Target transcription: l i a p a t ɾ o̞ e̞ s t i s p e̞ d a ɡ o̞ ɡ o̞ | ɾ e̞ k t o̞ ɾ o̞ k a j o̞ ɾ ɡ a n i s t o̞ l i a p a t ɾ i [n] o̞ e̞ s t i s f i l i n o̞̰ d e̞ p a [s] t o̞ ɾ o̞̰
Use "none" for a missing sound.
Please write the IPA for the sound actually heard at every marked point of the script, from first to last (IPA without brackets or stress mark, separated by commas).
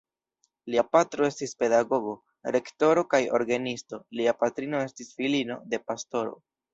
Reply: n, s